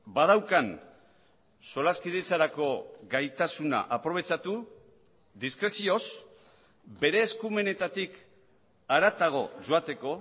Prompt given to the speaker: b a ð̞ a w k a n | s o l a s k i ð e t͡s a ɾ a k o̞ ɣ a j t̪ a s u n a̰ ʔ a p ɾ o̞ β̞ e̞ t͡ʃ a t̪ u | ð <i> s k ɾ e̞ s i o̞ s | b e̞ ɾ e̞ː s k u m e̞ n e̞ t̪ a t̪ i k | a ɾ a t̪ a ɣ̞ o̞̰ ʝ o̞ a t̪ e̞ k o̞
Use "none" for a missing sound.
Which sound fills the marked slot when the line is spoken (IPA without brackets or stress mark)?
i